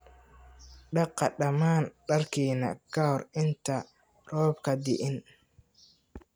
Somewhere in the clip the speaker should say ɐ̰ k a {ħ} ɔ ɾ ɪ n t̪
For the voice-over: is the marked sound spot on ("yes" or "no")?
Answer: no